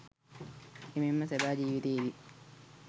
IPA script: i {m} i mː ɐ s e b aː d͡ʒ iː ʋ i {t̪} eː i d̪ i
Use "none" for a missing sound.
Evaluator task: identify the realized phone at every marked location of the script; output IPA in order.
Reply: m, t̪

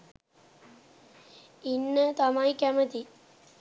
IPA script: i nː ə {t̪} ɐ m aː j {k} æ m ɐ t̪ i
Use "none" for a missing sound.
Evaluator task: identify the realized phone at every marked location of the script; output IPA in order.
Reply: t̪, k

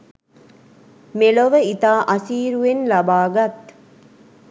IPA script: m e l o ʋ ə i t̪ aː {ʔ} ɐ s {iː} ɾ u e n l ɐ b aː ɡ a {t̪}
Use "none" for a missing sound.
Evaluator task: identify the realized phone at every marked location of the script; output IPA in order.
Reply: ʔ, iː, t̪

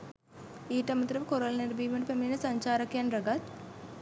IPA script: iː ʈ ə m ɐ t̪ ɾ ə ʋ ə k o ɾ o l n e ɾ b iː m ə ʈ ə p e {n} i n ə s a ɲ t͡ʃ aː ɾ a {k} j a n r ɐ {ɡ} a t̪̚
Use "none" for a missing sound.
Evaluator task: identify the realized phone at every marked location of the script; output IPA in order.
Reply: m, k, ɡ

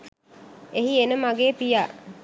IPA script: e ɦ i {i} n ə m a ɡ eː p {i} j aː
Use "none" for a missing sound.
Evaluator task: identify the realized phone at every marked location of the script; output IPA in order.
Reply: e, i

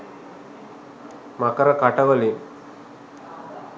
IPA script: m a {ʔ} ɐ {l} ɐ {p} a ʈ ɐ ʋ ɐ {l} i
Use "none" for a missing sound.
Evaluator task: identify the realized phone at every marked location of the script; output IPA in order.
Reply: k, ɾ, k, l

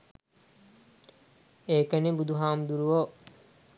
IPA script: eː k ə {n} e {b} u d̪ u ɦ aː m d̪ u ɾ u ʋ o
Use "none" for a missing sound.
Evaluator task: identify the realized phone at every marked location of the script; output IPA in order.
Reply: n, b

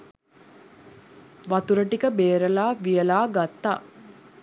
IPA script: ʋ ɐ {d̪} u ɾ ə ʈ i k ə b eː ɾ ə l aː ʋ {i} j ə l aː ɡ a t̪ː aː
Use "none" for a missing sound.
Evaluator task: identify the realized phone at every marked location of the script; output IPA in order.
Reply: t̪, i

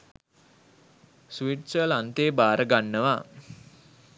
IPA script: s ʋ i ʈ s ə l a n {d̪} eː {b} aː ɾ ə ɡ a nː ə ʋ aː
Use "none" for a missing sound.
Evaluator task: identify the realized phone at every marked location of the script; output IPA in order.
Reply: t̪, b

